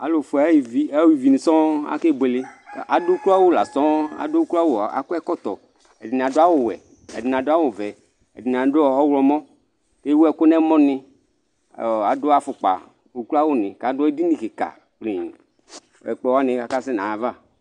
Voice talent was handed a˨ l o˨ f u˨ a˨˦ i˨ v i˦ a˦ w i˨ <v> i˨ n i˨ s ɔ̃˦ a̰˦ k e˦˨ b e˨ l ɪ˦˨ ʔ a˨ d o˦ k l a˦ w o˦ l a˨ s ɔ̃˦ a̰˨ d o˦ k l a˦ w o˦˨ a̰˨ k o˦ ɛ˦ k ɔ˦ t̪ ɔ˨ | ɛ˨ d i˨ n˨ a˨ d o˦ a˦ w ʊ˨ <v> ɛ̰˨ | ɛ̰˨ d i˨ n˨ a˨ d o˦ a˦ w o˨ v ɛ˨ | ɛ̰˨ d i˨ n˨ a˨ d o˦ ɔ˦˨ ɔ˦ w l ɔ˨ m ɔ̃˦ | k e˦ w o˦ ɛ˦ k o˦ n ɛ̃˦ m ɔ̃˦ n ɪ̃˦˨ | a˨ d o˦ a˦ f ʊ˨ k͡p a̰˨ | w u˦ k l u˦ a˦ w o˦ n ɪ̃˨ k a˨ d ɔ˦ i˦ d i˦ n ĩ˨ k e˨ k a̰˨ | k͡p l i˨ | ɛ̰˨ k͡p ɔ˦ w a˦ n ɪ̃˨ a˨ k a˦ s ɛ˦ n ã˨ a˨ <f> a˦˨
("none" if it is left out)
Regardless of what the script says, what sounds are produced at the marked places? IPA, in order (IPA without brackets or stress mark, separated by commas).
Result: v, w, v